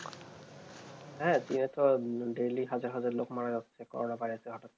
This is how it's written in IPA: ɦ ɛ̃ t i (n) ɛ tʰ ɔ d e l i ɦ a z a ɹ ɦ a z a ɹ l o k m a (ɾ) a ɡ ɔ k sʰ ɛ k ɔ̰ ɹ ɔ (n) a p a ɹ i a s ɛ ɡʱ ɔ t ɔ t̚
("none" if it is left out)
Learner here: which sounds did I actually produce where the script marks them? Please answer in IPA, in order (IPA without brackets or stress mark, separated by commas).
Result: n, ɹ, n